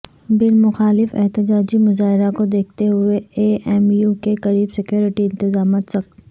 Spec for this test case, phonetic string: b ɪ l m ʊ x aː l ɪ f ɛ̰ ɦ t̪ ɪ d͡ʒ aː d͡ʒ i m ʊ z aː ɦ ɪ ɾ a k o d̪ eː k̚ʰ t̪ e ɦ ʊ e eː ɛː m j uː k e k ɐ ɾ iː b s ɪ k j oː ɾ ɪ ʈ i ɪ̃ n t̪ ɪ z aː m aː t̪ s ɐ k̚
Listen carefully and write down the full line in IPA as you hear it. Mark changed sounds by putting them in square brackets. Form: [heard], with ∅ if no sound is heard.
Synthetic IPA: b ɪ l m ʊ x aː l ɪ f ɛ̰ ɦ t̪ ɪ d͡ʒ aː d͡ʒ i m ʊ z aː ɦ ɪ ɾ a k o d̪ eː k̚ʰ t̪ e ɦ ʊ e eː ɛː m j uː k e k ɐ ɾ iː b s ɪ k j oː ɾ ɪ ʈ i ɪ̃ n t̪ ɪ z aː m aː t̪ s ɐ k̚